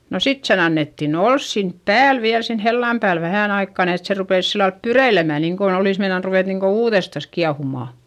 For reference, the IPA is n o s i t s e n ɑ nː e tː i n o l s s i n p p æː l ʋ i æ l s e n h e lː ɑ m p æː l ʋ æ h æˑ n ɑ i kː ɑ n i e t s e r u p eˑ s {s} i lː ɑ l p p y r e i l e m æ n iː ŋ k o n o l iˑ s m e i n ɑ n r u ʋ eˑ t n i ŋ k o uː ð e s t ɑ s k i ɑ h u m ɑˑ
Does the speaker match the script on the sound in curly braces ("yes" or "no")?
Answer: yes